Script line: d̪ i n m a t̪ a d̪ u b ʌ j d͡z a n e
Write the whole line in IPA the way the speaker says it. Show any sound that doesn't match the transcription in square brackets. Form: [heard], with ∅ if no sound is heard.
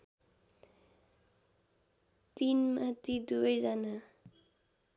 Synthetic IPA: [t̪] i n m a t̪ [i] d̪ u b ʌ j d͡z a n [a]

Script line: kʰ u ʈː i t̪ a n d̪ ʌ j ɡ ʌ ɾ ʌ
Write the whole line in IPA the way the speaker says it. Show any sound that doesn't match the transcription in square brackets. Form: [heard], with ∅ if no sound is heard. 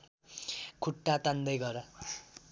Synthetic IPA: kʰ u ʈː [a] t̪ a n d̪ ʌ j ɡ ʌ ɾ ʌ

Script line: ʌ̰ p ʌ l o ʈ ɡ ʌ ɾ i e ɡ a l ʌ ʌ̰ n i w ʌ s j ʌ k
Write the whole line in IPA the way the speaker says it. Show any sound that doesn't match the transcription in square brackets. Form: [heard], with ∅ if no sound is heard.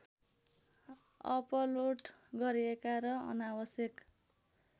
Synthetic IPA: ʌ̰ p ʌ l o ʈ ɡ ʌ ɾ i e [k] a [ɾ] ʌ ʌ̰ n [a] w ʌ s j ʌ k

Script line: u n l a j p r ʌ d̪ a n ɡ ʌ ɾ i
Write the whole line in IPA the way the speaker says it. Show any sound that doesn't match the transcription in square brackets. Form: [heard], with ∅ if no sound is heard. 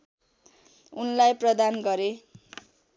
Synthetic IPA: u n l a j p r ʌ d̪ a n ɡ ʌ ɾ [e]

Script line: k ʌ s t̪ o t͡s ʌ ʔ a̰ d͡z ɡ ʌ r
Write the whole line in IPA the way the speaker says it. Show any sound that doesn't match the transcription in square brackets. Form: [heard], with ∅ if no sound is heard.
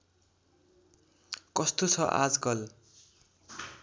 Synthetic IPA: k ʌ s t̪ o [t͡sʰ] ʌ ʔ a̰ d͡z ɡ ʌ [l]

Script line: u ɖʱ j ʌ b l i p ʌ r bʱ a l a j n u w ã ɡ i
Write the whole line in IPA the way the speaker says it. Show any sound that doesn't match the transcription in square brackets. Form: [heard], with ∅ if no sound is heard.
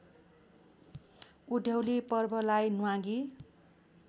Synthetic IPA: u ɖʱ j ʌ [w] l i p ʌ r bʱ [ʌ] l a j n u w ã ɡ i

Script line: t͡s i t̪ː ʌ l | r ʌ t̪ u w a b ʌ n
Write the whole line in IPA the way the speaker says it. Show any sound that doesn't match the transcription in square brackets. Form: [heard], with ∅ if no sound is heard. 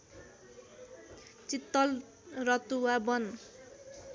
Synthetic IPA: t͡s i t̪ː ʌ l | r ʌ t̪ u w a b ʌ n

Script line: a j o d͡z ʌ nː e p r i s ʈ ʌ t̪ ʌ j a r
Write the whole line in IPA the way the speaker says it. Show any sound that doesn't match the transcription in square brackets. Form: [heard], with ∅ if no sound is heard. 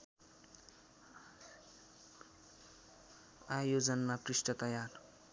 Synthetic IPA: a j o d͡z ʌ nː [a] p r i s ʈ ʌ t̪ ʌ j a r

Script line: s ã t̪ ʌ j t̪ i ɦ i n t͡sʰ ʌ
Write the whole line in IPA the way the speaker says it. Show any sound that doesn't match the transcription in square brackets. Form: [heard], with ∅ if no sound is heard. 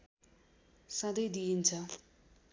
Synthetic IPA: s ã [d̪] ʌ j [d̪] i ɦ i n t͡sʰ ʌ

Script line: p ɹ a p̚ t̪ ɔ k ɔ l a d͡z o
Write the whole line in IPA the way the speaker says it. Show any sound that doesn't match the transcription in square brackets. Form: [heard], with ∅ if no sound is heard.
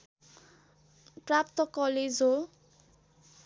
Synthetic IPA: p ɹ a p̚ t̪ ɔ k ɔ l [e] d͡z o

